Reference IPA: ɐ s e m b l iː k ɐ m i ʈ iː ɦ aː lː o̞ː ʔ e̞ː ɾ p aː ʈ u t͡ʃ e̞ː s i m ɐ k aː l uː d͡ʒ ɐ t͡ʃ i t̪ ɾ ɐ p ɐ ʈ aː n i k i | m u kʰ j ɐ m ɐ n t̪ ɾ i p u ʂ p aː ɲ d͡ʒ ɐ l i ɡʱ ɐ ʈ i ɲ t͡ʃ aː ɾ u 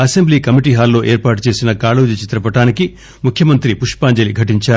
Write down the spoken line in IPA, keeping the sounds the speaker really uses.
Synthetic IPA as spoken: ɐ s e m b l iː k ɐ m i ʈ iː ɦ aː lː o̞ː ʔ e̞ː ɾ p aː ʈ u t͡ʃ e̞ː s i n ɐ k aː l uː d͡ʒ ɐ t͡ʃ i t̪ ɾ ɐ p ɐ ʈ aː n i k i | m u kʰ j ɐ m ɐ n t̪ ɾ i p u ʂ p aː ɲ d͡ʒ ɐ l i ɡʱ ɐ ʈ i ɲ t͡ʃ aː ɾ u